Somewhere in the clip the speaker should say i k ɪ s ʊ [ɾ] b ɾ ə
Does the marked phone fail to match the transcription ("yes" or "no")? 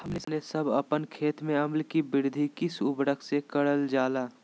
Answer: yes